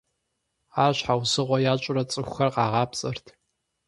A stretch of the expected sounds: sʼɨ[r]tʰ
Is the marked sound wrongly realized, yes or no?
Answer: no